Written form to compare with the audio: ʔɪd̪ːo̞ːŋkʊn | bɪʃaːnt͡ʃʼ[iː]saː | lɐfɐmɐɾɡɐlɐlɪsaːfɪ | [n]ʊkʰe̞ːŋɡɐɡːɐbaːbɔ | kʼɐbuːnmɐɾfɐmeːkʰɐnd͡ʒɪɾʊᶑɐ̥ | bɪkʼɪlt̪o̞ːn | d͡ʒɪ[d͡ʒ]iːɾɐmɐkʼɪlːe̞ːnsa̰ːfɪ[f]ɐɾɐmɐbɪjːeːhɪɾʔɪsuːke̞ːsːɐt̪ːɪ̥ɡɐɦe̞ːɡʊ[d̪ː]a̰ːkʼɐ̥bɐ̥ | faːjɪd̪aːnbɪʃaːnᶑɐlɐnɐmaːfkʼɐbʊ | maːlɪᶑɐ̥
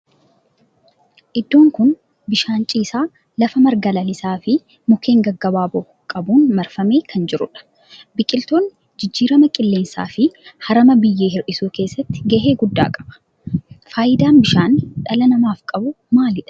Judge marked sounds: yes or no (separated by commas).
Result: yes, no, no, no, yes